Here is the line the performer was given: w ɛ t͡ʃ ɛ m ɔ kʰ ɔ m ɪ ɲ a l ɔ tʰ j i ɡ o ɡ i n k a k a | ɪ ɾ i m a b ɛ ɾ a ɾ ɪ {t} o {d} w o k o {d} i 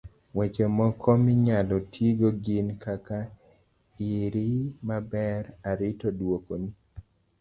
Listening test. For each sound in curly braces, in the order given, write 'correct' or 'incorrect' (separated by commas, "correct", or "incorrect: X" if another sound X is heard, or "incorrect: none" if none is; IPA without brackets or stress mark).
correct, correct, incorrect: n